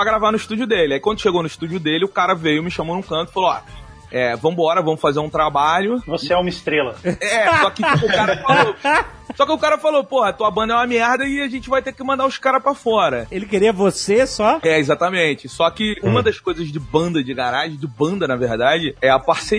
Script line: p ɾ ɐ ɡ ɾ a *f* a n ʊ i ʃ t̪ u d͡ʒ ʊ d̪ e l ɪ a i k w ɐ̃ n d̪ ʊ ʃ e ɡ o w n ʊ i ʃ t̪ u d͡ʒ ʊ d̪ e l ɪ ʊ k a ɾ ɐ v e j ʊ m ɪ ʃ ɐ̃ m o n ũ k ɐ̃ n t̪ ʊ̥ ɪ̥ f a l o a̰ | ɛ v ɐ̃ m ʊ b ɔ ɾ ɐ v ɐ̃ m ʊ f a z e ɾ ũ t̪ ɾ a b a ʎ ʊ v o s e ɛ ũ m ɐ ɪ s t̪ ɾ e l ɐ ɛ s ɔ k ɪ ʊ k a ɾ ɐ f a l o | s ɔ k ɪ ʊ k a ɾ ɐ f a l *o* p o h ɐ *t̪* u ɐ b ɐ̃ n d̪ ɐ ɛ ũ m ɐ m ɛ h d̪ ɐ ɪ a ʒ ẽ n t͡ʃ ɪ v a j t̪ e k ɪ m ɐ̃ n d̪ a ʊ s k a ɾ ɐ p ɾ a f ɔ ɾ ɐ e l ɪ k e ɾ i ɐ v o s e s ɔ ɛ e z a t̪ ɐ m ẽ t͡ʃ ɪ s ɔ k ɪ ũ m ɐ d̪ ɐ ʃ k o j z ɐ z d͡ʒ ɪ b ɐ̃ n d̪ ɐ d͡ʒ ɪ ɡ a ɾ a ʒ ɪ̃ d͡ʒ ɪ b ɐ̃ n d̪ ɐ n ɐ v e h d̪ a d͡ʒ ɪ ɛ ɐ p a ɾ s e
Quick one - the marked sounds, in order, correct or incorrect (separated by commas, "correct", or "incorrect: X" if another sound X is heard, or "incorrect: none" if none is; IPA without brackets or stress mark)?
incorrect: v, correct, correct